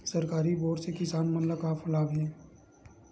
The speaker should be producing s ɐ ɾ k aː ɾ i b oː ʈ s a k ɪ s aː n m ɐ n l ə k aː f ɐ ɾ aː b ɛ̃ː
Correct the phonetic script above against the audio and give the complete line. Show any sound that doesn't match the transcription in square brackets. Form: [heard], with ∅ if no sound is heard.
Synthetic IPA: s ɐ ɾ k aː ɾ i b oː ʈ s [e] k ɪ s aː n m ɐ n l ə k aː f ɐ [l] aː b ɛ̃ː

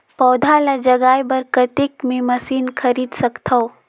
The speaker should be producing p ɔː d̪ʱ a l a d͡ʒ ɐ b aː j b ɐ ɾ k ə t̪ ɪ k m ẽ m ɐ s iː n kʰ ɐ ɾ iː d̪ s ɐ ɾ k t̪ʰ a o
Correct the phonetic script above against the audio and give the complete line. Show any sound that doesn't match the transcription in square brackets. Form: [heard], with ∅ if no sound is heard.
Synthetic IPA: p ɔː d̪ʱ a l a d͡ʒ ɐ [ɡ] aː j b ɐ ɾ k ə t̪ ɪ k m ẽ m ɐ s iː n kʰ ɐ ɾ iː d̪ s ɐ [∅] k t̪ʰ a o

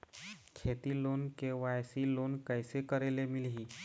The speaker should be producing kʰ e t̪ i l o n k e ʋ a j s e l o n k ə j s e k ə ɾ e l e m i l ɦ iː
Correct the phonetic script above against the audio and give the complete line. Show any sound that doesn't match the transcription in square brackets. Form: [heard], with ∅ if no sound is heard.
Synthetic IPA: kʰ e t̪ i l o n k e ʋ a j s [i] l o n k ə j s e k ə ɾ e l e m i l ɦ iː

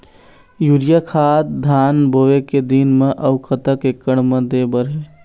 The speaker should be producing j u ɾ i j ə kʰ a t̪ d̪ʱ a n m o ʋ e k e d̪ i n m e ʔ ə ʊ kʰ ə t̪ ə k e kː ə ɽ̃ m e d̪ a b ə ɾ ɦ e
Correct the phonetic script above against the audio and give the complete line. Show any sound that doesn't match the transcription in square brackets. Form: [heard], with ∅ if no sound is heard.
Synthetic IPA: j u ɾ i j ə kʰ a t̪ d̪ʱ a n [b] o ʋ e k e d̪ i n m e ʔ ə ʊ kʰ ə t̪ ə k e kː ə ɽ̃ m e d̪ [e] b ə ɾ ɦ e

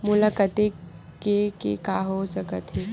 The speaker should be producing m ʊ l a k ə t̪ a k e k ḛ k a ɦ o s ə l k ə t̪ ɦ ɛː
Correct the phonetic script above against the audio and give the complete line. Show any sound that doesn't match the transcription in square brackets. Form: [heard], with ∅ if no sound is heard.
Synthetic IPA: m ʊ l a k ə t̪ [e] k e k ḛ k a ɦ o s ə [∅] k ə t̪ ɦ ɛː

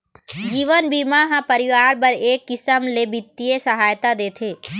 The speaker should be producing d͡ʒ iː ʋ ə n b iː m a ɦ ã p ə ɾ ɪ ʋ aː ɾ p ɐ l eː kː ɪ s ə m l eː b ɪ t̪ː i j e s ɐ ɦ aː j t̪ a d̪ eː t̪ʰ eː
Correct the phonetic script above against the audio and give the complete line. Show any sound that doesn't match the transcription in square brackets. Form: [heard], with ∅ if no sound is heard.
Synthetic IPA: d͡ʒ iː ʋ ə n b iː m a ɦ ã p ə ɾ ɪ ʋ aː ɾ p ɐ [ɾ] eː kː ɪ s ə m l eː b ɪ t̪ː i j e s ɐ ɦ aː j t̪ a d̪ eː t̪ʰ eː

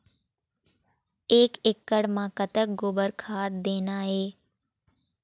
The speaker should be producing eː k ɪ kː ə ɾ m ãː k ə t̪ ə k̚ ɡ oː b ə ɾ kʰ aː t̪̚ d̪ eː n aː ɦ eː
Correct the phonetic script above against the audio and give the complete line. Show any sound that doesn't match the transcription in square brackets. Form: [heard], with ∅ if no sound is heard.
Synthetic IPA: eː k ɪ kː ə [ɽ] m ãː k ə t̪ ə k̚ ɡ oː b ə ɾ kʰ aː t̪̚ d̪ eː n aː ɦ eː

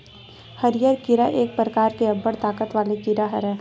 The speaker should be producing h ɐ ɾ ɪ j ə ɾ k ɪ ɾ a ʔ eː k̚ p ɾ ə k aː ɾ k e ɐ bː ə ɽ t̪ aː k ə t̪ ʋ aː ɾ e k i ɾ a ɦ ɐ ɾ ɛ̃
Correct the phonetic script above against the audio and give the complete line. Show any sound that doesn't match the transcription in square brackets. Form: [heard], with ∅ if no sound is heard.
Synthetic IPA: h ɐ ɾ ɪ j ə ɾ k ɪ ɾ a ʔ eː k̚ p ɾ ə k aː ɾ k e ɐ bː ə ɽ t̪ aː k ə t̪ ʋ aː [l] e k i ɾ a ɦ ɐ ɾ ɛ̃

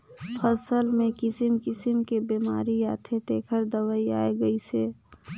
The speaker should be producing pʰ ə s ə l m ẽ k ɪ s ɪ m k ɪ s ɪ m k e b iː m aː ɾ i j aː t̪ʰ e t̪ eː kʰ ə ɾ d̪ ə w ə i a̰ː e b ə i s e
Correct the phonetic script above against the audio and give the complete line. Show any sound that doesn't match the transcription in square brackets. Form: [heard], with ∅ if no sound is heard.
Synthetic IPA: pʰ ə s ə l m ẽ k ɪ s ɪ m k ɪ s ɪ m k e b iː m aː ɾ i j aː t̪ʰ e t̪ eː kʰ ə ɾ d̪ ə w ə i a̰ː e [ɡ] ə i s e

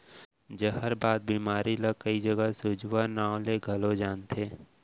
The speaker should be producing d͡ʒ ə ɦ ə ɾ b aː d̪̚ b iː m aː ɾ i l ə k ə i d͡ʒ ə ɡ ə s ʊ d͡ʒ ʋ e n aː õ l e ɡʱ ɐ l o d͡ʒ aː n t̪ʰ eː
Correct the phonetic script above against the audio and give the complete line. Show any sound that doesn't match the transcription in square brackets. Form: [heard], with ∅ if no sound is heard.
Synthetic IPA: d͡ʒ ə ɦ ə ɾ b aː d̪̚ b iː m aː ɾ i l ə k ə i d͡ʒ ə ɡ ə s ʊ d͡ʒ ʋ [a] n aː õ l e ɡʱ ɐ l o d͡ʒ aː n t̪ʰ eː

